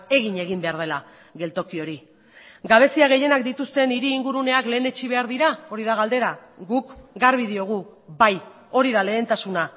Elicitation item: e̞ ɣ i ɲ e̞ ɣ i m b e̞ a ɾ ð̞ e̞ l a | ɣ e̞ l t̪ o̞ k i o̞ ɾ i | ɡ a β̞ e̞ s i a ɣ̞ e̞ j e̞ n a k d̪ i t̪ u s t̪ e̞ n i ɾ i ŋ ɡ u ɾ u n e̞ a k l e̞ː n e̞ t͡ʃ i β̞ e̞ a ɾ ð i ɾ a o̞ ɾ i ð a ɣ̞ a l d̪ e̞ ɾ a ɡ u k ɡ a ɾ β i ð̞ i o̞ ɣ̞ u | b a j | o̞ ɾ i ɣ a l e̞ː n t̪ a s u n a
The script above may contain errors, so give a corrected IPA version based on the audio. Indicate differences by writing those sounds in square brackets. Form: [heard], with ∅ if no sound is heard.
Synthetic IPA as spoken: e̞ ɣ i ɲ e̞ ɣ i m b e̞ a ɾ ð̞ e̞ l a | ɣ e̞ l t̪ o̞ k i o̞ ɾ i | ɡ a β̞ e̞ s i a ɣ̞ e̞ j e̞ n a k d̪ i t̪ u s t̪ e̞ n i ɾ [iː] ŋ ɡ u ɾ u n e̞ a k l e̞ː n e̞ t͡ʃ i β̞ e̞ a ɾ ð i ɾ a o̞ ɾ i ð a ɣ̞ a l d̪ e̞ ɾ a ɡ u k ɡ a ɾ β i ð̞ i o̞ ɣ̞ u | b a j | o̞ ɾ i [ð] a l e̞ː n t̪ a s u n a